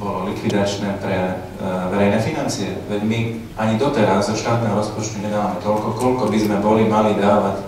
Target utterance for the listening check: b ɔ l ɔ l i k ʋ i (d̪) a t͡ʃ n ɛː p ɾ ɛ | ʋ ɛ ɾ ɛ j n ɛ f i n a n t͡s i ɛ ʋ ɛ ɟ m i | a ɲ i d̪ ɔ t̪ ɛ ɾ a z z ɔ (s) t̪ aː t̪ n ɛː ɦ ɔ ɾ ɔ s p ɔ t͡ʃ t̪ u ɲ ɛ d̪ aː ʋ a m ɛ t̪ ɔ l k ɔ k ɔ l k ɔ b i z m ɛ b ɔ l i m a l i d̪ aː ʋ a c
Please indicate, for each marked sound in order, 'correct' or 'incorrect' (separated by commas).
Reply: correct, incorrect